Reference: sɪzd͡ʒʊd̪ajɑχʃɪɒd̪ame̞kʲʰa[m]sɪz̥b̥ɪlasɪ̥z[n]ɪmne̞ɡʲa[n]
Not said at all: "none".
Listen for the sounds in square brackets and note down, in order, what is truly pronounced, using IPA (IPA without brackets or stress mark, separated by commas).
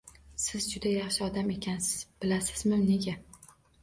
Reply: n, m, none